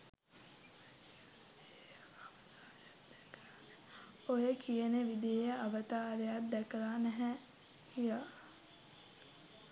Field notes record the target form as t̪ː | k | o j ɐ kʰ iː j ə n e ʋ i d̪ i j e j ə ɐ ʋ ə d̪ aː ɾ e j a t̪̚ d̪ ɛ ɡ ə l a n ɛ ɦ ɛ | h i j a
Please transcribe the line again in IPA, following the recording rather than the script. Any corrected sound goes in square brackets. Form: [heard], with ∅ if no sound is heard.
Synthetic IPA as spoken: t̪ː | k | o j [ə] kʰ [i] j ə n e ʋ i d̪ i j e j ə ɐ ʋ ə [t̪] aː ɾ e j a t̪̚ d̪ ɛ [k] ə l a n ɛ ɦ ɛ | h i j a